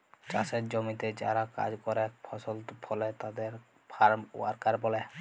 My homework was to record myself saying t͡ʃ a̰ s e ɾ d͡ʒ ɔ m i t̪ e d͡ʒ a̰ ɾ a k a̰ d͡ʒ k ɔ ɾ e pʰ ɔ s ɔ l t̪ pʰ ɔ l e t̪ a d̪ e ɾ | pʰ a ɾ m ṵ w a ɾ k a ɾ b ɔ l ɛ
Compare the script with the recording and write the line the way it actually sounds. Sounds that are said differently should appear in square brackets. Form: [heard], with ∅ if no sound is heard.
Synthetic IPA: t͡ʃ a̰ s e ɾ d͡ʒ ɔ m i t̪ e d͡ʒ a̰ ɾ a k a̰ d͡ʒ k ɔ ɾ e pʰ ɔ s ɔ l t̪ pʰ ɔ l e t̪ a d̪ e ɾ | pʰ a ɾ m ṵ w a ɾ k a ɾ b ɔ l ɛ